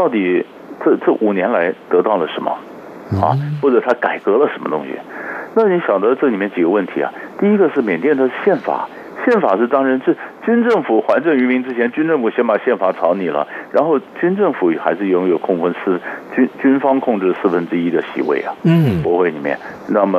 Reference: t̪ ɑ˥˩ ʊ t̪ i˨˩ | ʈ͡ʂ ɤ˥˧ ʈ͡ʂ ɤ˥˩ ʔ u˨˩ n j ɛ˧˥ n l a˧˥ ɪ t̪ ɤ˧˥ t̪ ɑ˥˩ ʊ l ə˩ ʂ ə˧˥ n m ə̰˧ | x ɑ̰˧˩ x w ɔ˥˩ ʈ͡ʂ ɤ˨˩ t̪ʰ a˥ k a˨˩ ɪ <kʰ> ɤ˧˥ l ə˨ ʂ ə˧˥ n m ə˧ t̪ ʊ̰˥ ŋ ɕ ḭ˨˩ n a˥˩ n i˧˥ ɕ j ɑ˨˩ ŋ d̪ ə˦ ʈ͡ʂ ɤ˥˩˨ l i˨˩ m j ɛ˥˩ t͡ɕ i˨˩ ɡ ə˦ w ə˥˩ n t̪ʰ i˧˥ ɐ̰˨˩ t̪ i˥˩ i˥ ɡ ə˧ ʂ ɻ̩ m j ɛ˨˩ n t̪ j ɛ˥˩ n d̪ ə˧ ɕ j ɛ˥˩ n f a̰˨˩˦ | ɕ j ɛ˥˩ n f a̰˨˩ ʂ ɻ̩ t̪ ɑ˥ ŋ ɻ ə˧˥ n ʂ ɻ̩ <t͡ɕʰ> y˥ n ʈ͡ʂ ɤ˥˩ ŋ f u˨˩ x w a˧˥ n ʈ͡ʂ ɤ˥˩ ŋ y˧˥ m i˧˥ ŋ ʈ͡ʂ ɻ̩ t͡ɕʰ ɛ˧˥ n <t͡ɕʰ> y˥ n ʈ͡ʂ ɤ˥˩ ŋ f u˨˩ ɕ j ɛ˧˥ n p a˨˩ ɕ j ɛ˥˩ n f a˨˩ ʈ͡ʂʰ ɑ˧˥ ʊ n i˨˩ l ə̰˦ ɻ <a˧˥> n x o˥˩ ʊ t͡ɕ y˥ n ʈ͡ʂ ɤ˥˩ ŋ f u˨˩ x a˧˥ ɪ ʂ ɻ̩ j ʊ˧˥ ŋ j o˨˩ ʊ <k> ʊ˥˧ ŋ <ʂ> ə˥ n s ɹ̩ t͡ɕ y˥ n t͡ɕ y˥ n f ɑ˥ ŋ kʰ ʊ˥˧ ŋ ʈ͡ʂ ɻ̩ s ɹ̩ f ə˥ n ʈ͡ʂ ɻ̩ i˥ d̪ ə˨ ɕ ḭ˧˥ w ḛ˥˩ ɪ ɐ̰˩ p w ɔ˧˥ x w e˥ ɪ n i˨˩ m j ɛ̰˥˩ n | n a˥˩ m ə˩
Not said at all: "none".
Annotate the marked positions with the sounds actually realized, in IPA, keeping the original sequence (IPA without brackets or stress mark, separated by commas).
k, t͡ɕ, t͡ɕ, a˧˥, kʰ, f